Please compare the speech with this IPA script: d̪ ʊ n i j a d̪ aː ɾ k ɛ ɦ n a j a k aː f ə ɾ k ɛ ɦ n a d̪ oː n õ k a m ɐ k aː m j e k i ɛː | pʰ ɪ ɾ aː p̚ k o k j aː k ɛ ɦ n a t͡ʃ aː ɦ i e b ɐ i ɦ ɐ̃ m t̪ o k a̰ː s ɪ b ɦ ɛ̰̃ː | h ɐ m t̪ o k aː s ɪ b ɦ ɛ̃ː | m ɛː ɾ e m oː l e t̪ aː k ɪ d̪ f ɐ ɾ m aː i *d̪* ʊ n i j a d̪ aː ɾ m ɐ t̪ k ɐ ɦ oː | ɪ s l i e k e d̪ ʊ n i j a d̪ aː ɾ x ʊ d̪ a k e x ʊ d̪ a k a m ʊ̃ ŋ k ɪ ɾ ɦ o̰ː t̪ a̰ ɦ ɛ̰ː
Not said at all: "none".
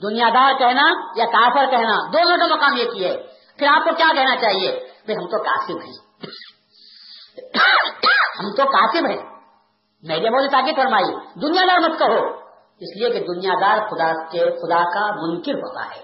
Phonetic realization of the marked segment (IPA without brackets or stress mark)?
d̪